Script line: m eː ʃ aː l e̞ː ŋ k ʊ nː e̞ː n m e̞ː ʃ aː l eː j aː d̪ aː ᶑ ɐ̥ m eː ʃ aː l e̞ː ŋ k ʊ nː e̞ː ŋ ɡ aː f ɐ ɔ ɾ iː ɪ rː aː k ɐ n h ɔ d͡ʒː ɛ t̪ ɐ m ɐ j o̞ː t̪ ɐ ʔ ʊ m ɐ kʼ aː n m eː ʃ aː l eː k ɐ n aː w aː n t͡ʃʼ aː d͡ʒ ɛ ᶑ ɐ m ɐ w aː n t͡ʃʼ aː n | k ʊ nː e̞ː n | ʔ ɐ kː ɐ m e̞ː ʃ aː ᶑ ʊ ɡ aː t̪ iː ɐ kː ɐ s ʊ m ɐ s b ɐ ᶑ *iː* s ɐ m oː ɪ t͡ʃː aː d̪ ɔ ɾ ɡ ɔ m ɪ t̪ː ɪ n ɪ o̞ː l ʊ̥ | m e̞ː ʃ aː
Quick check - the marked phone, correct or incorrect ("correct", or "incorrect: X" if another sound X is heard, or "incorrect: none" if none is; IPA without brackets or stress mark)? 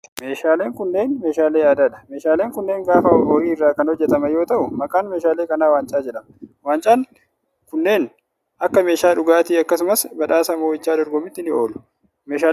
incorrect: aː